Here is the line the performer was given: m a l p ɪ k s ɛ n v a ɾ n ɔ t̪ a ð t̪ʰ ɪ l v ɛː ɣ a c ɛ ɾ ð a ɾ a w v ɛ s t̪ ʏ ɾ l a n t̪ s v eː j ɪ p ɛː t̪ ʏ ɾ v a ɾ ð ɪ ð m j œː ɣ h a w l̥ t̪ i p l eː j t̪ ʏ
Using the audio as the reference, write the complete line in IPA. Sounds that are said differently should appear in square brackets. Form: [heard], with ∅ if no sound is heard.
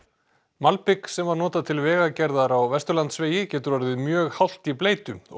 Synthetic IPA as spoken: m a l p ɪ k s ɛ [m] v a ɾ n [ɔː] t̪ a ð t̪ʰ ɪ l v ɛː ɣ a c ɛ ɾ ð a ɾ a w v ɛ s t̪ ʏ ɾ l a n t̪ s v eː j ɪ [c] ɛː t̪ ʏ ɾ v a ɾ ð ɪ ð m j œː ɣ h a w l̥ t̪ i p l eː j t̪ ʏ